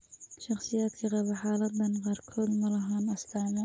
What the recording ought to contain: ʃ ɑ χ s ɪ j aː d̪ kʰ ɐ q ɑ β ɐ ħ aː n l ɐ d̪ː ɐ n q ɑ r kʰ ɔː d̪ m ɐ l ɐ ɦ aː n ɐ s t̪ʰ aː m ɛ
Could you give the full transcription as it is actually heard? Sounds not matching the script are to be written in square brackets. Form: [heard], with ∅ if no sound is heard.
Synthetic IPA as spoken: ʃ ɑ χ s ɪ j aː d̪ kʰ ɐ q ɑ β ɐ ħ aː [∅] l ɐ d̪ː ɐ n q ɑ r kʰ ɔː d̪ m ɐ l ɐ ɦ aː n ɐ s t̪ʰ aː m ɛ